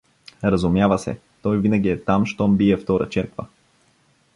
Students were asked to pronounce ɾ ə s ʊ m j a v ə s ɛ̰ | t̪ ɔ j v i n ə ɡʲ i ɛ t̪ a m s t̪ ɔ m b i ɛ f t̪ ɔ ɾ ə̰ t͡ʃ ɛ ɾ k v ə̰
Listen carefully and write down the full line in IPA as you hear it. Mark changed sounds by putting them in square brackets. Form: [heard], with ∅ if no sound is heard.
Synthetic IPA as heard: ɾ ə [z] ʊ m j a v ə s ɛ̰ | t̪ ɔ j v i n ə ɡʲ i ɛ t̪ a m [ʃ] t̪ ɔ m b i ɛ f t̪ ɔ ɾ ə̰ t͡ʃ ɛ ɾ k v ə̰